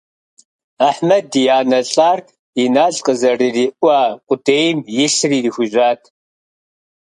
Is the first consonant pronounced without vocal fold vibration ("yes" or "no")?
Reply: yes